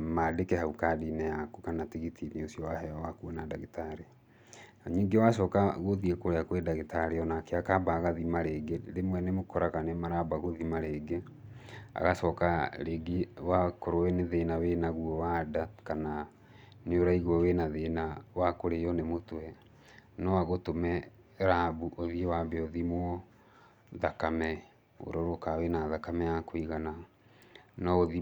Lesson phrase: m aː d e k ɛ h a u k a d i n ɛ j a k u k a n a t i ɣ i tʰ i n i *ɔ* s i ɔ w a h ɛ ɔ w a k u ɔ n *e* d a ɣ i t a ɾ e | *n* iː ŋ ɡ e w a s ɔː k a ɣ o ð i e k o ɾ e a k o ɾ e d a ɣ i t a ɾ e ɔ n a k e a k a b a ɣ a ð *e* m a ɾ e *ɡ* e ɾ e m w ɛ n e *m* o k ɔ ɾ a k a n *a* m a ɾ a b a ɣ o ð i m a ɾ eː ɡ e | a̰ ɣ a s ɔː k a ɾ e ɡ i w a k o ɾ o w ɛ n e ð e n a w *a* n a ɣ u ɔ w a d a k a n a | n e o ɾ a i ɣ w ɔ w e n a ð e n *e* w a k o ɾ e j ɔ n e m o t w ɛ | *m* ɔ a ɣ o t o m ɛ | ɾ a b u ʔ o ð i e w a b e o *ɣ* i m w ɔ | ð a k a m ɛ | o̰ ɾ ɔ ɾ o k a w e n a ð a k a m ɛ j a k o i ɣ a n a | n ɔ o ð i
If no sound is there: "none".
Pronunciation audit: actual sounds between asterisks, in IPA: o, a, ɲ, i, ɡ, m, e, e, a, n, ð

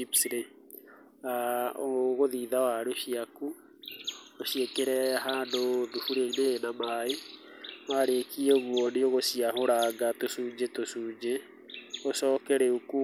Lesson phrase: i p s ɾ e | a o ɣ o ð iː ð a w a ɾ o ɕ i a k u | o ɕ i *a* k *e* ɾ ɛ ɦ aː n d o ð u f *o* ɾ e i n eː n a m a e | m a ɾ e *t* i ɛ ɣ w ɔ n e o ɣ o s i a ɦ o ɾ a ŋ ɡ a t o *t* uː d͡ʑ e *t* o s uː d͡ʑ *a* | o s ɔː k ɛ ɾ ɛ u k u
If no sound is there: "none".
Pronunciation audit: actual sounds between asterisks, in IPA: e, e, u, k, s, t, e

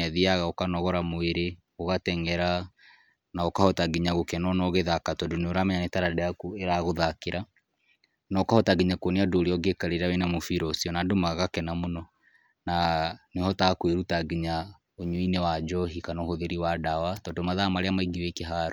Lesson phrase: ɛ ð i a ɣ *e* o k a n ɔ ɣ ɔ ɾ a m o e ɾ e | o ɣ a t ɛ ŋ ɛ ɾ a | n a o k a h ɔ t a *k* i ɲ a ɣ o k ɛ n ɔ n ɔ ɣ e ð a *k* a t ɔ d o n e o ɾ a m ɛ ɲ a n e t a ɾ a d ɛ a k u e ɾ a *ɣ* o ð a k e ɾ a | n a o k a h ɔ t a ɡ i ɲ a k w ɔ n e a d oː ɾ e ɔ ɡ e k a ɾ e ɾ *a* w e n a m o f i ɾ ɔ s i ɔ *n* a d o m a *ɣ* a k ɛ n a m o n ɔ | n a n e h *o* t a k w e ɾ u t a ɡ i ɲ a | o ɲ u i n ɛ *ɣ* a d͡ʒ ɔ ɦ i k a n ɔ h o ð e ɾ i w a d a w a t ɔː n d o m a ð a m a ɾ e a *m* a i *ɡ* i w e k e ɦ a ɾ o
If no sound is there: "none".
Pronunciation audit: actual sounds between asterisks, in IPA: a, ɡ, k, ɣ, a, n, ɣ, ɔ, w, m, ɡ

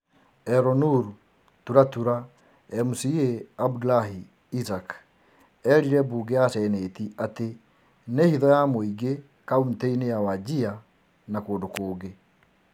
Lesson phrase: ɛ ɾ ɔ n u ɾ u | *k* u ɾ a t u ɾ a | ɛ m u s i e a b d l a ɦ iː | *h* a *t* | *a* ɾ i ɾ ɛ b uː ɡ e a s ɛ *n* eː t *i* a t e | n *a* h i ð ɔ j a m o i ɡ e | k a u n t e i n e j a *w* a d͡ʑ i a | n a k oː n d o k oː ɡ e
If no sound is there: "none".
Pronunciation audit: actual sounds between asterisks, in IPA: t, s, k, ɛ, n, i, e, w

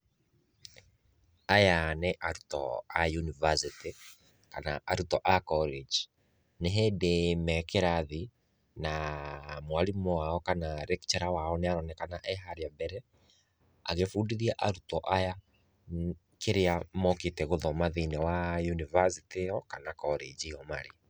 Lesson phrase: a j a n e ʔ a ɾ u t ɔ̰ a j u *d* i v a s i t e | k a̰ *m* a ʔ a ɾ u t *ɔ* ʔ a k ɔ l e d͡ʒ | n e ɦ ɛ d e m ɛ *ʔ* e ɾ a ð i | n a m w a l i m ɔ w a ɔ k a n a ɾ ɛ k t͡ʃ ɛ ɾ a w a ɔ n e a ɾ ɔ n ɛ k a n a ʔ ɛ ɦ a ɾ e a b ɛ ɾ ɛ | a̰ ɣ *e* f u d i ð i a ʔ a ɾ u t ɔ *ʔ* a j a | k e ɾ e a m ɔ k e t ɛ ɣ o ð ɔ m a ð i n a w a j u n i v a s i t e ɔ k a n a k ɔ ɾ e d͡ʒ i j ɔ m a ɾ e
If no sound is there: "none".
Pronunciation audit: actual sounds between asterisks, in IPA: n, n, ɔ, k, e, ʔ

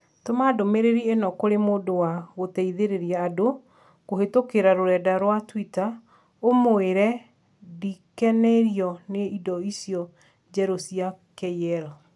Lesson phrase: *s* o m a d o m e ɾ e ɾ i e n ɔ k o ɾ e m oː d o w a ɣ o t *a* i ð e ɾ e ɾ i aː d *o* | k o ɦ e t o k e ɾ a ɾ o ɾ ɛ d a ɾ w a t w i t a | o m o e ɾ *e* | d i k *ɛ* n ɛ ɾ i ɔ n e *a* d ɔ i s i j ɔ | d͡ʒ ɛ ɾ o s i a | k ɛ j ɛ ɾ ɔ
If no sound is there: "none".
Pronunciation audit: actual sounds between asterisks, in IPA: t, ɛ, o, ɛ, ɛ, i

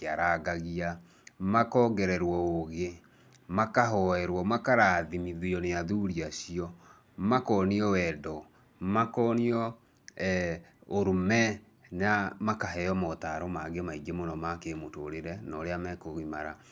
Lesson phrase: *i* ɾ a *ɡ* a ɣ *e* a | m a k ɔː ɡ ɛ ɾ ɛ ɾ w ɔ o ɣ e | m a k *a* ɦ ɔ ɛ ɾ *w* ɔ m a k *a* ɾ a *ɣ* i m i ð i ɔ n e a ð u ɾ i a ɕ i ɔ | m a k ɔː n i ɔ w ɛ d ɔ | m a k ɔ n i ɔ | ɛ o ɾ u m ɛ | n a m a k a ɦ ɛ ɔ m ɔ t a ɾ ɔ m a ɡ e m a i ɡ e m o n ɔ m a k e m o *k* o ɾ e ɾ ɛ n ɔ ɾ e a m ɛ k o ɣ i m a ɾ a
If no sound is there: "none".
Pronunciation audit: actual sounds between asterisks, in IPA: a, ɡ, i, a, w, a, ð, t

